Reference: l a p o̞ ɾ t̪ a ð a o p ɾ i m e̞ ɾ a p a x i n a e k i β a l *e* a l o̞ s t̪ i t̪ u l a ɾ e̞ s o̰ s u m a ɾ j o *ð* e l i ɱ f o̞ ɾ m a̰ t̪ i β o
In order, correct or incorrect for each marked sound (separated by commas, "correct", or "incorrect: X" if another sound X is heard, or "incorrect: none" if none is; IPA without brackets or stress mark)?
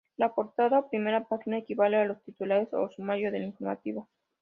correct, correct